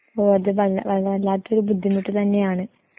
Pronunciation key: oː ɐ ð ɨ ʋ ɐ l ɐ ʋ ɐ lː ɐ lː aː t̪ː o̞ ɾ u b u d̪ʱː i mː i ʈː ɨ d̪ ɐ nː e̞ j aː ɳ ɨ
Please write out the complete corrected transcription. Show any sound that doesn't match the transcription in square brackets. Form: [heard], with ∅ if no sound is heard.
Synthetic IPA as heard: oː ɐ ð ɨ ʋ ɐ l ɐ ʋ ɐ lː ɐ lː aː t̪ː o̞ ɾ u b u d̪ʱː i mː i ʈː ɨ [t̪] ɐ nː e̞ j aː ɳ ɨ